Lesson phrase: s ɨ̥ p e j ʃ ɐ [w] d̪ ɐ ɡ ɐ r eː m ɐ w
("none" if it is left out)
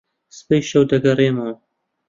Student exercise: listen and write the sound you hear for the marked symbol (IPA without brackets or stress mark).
w